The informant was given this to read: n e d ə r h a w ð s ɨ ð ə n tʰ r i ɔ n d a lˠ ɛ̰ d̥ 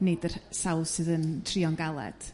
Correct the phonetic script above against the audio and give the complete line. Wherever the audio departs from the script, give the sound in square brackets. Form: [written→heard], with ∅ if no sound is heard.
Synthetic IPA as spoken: n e d ə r [h→s] a w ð s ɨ ð ə n tʰ r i ɔ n [d→ɡ] a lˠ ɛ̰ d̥